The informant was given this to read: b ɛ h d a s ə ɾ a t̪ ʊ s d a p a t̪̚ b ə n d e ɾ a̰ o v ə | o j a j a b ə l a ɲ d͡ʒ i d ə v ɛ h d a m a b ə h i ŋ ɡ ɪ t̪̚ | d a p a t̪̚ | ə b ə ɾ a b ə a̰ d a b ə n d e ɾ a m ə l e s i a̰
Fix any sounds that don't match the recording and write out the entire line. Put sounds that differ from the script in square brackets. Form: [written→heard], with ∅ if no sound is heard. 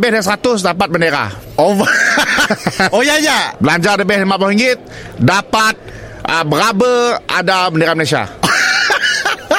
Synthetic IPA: b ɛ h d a s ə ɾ a t̪ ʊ s d a p a t̪̚ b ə n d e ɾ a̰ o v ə | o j a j a b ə l a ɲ d͡ʒ [i→a] d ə [v→b] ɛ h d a m a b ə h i ŋ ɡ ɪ t̪̚ | d a p a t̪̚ | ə b ə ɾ a b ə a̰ d a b ə n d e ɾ a m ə l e s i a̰